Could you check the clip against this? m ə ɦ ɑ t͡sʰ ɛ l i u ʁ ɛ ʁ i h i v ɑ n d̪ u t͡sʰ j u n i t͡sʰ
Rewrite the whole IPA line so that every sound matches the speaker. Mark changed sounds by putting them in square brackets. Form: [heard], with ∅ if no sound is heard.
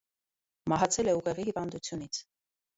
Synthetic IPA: m [ɑ] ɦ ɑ t͡sʰ ɛ l [ɛ] u ʁ ɛ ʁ i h i v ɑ n d̪ u t͡sʰ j u n i t͡sʰ

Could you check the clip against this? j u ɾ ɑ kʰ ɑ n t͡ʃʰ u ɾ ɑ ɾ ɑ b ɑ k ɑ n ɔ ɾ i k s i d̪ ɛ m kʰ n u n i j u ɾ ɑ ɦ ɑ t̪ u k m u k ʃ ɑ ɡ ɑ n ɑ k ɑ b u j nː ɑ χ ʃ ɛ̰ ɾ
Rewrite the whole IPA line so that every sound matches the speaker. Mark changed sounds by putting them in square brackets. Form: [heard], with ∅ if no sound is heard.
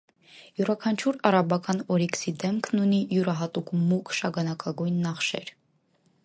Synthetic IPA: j u ɾ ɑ kʰ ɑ n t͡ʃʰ u ɾ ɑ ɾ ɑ b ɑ k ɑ n ɔ ɾ i k s i d̪ ɛ m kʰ n u n i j u ɾ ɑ ɦ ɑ t̪ u k m u k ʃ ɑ ɡ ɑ n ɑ k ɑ [ɡ] u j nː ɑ χ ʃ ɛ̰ ɾ

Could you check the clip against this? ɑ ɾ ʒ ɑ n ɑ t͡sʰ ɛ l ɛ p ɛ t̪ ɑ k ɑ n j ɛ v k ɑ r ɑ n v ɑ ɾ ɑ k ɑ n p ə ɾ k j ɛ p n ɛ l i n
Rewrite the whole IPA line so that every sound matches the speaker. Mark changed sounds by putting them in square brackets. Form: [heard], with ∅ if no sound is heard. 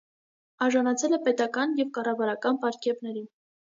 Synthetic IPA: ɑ ɾ ʒ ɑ n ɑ t͡sʰ ɛ l ɛ p ɛ t̪ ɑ k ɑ n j ɛ v k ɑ r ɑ [∅] v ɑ ɾ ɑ k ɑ n p [ɑ] ɾ k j ɛ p n ɛ [ɾ] i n

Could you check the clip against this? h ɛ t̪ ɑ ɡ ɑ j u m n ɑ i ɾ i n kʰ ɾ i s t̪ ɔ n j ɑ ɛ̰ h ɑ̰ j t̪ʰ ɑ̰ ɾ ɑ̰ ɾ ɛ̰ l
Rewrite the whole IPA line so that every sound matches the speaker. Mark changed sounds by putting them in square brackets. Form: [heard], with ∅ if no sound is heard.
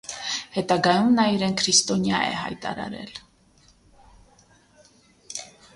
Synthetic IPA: h ɛ t̪ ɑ ɡ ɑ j u m n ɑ i ɾ [ɛ] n kʰ ɾ i s t̪ ɔ n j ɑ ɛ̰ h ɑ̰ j [t̪] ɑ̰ ɾ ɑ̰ ɾ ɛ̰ l

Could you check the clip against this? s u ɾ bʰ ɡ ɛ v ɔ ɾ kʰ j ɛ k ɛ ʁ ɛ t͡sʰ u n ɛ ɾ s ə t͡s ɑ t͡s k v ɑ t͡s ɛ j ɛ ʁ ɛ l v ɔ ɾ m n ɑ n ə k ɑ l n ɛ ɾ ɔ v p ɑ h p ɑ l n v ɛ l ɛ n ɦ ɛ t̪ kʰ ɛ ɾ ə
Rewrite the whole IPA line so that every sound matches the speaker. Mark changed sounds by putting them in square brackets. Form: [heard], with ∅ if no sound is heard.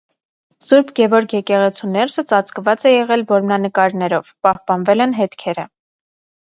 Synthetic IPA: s u ɾ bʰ ɡ ɛ v ɔ ɾ kʰ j ɛ k ɛ ʁ ɛ t͡sʰ u n ɛ ɾ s ə t͡s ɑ t͡s k v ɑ t͡s ɛ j ɛ ʁ ɛ l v ɔ ɾ m n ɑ n ə k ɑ [ɾ] n ɛ ɾ ɔ v p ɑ h p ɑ [∅] n v ɛ l ɛ n ɦ ɛ t̪ kʰ ɛ ɾ ə

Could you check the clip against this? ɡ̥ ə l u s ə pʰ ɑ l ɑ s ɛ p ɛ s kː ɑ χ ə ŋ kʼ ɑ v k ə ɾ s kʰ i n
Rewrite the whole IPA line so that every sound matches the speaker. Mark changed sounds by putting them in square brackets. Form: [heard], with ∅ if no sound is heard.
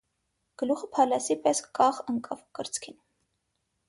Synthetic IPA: ɡ̥ ə l u [χ] ə pʰ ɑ l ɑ s [i] p ɛ s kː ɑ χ ə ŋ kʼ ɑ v k ə ɾ [t͡s] kʰ i n

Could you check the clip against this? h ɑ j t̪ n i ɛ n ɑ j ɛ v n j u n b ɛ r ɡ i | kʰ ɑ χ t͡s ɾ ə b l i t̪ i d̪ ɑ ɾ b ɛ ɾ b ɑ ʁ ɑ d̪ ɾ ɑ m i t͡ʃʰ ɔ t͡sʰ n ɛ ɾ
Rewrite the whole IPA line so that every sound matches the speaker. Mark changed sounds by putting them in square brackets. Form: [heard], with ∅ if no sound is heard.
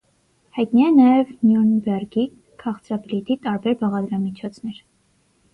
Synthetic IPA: h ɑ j t̪ n i ɛ n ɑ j ɛ v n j u n b ɛ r ɡ i | kʰ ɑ χ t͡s ɾ [ɑ] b l i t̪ i [t̪] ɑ ɾ b ɛ ɾ b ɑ ʁ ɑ d̪ ɾ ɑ m i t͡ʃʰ ɔ t͡sʰ n ɛ ɾ

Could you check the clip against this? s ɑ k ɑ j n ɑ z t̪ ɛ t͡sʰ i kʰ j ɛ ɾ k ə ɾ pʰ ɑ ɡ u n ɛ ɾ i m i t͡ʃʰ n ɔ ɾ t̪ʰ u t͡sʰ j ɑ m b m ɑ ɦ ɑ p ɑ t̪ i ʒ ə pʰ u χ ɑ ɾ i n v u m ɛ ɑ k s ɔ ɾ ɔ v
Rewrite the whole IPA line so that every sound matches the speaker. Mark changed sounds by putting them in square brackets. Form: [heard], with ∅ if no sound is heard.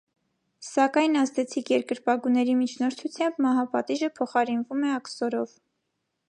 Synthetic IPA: s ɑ k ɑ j n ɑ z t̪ ɛ t͡sʰ i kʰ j ɛ ɾ k ə ɾ [p] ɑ ɡ u n ɛ ɾ i m i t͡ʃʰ n ɔ ɾ t̪ʰ u t͡sʰ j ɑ m b m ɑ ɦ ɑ p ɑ t̪ i ʒ ə pʰ [ɔ] χ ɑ ɾ i n v u m ɛ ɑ k s ɔ ɾ ɔ v

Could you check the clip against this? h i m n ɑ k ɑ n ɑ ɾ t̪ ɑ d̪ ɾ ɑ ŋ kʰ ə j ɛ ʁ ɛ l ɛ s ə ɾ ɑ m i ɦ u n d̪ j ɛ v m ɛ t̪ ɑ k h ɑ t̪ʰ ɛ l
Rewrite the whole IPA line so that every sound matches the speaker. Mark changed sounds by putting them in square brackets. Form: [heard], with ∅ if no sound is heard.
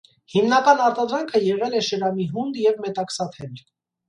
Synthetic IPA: h i m n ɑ k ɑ n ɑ ɾ t̪ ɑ d̪ ɾ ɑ ŋ kʰ ə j ɛ ʁ ɛ l ɛ [ʃ] ə ɾ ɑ m i ɦ u n d̪ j ɛ v m ɛ t̪ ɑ k [s] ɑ t̪ʰ ɛ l

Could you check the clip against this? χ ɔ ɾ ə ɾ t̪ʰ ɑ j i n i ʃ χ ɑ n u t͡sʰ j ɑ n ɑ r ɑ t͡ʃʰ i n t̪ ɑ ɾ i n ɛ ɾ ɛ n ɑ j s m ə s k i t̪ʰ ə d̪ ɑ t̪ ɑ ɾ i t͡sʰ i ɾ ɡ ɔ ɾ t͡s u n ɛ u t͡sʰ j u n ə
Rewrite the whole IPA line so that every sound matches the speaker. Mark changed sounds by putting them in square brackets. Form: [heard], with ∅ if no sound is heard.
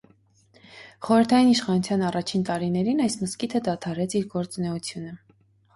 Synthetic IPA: χ ɔ ɾ ə ɾ t̪ʰ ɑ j i n i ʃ χ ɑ n u t͡sʰ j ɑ n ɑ r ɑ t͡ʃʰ i n t̪ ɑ ɾ i n ɛ ɾ [i] n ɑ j s m ə s k i t̪ʰ ə d̪ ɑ [t̪ʰ] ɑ ɾ [ɛ] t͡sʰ i ɾ ɡ ɔ ɾ t͡s u n ɛ u t͡sʰ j u n ə

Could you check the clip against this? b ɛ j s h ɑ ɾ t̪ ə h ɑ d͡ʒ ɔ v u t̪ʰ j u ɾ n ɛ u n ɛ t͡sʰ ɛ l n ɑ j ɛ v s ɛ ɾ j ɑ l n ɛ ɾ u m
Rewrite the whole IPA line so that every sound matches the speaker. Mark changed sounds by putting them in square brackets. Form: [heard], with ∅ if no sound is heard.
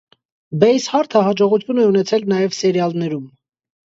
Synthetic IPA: b ɛ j s h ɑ ɾ [t̪ʰ] ə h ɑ d͡ʒ ɔ [ʁ] u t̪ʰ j u [∅] n ɛ u n ɛ t͡sʰ ɛ l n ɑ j ɛ v s ɛ ɾ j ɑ l n ɛ ɾ u m

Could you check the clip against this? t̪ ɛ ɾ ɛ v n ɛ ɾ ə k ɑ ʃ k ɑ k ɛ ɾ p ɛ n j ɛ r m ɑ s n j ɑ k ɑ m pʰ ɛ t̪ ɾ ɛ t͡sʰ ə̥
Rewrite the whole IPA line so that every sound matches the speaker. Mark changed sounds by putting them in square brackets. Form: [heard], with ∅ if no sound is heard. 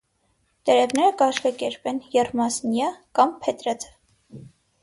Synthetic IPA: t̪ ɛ ɾ ɛ v n ɛ ɾ ə k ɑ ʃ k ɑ k ɛ ɾ p ɛ n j ɛ r m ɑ s n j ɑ k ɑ m pʰ ɛ t̪ ɾ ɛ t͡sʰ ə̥

